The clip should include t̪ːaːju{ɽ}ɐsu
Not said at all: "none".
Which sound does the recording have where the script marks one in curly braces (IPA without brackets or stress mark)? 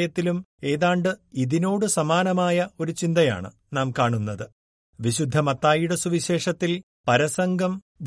ɽ